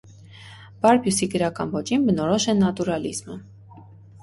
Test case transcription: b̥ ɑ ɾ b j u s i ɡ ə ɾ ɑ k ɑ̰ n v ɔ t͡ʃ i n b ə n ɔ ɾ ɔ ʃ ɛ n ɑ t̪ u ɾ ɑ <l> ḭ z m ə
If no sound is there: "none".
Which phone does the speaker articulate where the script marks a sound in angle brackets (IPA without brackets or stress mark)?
l